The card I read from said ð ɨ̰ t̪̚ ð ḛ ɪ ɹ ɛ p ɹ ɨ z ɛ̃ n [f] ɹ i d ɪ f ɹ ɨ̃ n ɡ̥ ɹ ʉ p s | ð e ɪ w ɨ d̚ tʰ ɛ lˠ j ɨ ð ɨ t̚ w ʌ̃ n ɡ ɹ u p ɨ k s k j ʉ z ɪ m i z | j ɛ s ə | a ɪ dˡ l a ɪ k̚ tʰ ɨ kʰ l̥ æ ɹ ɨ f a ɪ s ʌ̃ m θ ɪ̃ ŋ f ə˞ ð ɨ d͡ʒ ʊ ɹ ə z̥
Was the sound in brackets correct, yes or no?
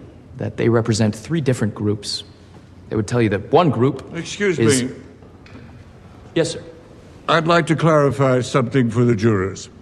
no